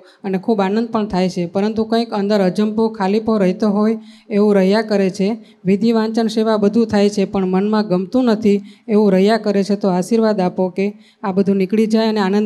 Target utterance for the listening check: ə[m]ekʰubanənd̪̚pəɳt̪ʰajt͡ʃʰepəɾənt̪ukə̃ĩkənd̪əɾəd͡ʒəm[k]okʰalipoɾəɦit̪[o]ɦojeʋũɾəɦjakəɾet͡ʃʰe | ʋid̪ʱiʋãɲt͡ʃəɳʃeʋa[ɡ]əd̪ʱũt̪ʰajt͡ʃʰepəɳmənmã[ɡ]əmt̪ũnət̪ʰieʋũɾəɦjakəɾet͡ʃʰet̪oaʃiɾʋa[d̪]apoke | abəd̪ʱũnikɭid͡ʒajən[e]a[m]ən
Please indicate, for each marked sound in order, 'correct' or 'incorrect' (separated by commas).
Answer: incorrect, incorrect, correct, incorrect, correct, correct, correct, incorrect